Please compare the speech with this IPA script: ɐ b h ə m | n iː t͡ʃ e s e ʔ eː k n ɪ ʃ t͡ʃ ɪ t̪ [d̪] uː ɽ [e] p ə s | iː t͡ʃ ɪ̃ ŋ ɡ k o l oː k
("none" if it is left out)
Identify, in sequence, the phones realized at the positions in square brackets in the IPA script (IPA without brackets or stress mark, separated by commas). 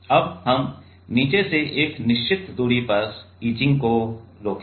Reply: d̪, i